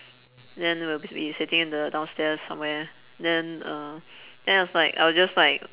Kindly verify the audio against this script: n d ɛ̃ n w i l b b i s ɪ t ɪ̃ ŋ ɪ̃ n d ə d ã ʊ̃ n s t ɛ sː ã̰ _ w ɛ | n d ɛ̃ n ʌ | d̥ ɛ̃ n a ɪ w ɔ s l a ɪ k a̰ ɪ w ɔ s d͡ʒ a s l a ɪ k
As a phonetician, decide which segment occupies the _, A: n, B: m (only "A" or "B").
B